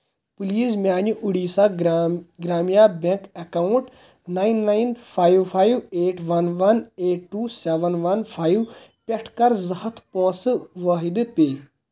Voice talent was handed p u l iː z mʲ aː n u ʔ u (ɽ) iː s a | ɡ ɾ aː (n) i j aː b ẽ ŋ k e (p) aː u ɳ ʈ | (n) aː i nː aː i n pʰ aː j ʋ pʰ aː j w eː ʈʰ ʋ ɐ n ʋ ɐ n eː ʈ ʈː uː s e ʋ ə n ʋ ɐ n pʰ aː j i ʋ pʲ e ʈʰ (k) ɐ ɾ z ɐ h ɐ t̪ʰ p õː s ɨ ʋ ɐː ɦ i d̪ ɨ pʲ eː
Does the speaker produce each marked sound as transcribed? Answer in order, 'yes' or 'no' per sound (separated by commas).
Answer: yes, no, no, yes, yes